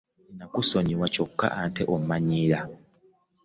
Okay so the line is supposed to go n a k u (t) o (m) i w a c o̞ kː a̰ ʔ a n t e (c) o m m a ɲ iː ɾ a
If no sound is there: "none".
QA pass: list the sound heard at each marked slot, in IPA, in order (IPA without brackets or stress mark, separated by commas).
s, ɲ, ʔ